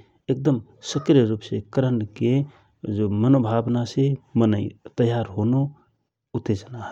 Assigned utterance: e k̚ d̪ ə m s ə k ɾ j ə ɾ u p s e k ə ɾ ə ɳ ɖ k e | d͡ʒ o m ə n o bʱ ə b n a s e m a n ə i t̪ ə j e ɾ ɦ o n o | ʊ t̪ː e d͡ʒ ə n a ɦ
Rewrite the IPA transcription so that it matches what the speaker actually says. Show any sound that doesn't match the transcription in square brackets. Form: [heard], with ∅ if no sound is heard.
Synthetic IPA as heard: e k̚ d̪ ə m s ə k ɾ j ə ɾ u p s e k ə ɾ ə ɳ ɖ k e | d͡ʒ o m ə n o bʱ [a] b n a s e m [ə] n ə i t̪ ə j [a] ɾ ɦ o n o | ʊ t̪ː e d͡ʒ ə n a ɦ